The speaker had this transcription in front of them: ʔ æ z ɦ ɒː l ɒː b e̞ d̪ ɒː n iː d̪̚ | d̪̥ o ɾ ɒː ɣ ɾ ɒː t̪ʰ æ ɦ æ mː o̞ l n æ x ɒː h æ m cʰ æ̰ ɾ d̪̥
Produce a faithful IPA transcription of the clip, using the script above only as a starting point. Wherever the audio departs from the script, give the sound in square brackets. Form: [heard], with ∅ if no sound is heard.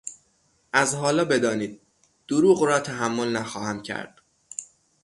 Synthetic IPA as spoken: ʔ æ z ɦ ɒː l ɒː b e̞ d̪ ɒː n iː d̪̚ | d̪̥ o ɾ [uː] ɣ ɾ ɒː t̪ʰ æ ɦ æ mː o̞ l n æ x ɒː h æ m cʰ æ̰ ɾ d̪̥